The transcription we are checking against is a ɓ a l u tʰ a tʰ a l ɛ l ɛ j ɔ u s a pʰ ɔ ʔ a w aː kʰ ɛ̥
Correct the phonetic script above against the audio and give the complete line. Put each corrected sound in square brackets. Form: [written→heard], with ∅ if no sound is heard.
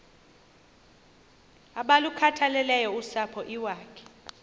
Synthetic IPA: a ɓ a l u [tʰ→kʰ] a tʰ a l ɛ l ɛ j ɔ u s a pʰ ɔ ʔ [a→i] w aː kʰ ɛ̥